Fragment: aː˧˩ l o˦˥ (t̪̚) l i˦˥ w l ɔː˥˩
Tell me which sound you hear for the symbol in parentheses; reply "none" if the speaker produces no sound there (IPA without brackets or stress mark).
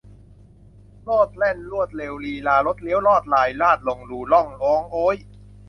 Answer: t̪̚